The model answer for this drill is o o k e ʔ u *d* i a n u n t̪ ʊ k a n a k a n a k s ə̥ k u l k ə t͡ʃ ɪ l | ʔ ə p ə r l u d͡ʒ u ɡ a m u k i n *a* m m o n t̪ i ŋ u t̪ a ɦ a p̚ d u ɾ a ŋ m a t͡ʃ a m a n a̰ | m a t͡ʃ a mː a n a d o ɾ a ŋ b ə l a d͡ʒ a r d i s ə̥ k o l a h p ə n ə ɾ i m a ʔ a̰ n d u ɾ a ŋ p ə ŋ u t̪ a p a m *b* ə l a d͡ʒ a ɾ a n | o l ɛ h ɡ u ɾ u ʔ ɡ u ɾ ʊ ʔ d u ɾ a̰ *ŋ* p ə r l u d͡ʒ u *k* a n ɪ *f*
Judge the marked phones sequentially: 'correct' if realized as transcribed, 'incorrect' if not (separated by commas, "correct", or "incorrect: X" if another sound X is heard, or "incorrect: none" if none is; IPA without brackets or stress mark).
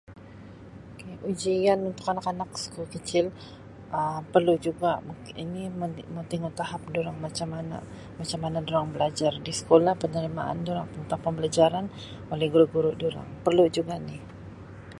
incorrect: d͡ʒ, incorrect: i, correct, correct, incorrect: ɡ, incorrect: h